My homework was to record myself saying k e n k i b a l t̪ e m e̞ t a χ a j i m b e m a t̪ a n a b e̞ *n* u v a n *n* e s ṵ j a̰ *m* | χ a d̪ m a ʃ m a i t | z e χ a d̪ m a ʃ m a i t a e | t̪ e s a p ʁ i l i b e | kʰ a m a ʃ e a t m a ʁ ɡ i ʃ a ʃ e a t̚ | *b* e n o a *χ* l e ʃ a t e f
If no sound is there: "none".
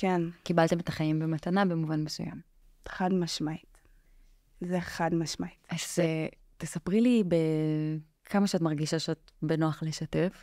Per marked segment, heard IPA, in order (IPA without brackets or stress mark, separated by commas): m, m, m, b, χ